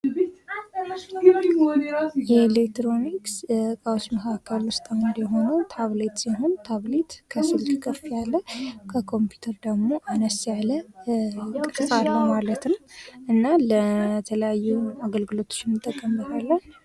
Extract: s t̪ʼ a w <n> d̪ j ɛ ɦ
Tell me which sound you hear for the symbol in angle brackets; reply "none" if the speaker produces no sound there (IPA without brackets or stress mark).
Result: n